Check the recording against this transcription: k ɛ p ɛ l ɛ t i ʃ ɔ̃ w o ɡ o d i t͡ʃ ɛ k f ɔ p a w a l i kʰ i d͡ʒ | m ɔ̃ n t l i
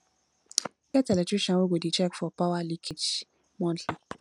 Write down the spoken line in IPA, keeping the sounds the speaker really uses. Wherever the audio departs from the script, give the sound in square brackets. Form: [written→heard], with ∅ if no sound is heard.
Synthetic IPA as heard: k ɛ [p→t] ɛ l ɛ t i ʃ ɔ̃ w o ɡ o d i t͡ʃ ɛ k f ɔ p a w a l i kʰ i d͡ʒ | m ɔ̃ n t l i